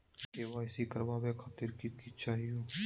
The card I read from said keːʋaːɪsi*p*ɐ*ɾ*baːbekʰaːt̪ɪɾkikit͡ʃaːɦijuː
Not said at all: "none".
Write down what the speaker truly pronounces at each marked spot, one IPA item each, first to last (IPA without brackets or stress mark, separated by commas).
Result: k, ɾ